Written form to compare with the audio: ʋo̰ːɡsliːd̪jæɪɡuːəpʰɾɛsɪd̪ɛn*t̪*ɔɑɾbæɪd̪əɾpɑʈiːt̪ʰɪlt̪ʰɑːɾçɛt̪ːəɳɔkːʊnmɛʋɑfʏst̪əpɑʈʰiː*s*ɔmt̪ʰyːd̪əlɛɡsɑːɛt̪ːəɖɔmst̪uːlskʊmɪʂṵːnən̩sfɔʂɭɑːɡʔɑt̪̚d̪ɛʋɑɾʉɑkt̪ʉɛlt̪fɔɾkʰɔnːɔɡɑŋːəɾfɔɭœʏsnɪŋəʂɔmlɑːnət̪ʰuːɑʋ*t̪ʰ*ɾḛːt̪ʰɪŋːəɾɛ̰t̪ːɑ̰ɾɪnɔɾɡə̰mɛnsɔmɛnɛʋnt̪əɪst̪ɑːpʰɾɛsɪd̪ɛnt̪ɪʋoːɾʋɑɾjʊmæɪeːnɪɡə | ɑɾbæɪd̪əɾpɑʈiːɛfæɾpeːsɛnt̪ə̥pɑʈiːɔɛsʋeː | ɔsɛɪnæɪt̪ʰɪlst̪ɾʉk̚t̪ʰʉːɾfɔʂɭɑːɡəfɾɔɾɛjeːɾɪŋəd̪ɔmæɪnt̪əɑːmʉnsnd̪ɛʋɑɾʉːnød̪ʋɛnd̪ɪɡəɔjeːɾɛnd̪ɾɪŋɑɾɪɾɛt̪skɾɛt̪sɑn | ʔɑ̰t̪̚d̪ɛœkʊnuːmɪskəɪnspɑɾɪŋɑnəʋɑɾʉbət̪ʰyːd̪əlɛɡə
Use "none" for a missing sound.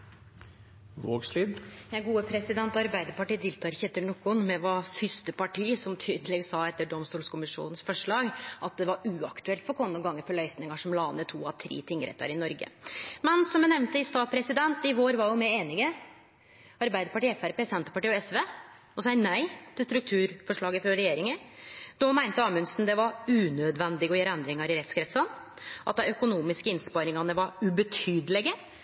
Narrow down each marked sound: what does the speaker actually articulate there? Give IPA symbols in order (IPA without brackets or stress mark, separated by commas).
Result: t̪, s, t̪ʰ